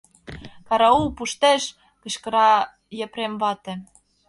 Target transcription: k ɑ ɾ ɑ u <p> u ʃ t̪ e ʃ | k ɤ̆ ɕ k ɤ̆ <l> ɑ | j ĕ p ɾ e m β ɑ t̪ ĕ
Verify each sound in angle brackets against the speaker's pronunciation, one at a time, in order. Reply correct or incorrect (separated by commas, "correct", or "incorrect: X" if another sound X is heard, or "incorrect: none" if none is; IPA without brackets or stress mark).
correct, incorrect: ɾ